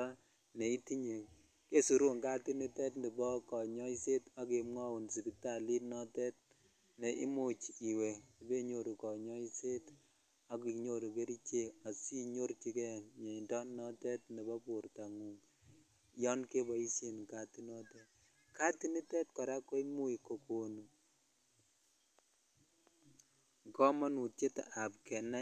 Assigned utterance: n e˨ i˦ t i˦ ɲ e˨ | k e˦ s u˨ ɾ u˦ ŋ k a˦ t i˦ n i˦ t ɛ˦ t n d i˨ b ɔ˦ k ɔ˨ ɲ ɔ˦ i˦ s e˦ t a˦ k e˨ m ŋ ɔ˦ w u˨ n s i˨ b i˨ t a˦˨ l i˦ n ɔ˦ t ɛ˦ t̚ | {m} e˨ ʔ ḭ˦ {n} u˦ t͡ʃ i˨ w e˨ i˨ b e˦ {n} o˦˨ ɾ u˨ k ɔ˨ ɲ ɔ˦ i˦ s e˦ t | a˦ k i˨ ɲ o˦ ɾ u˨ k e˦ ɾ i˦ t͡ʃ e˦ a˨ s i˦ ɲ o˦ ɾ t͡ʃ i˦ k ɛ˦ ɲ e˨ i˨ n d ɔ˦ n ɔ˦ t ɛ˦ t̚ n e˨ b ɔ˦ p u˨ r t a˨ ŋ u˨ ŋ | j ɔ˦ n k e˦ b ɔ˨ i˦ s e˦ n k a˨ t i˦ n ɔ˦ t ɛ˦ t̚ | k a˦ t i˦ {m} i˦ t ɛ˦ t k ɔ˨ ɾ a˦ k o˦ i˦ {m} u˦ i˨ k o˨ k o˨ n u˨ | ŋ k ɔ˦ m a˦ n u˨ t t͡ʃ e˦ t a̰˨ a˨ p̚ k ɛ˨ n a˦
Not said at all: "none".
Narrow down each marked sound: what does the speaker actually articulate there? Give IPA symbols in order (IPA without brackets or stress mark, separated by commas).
n, m, ɲ, n, m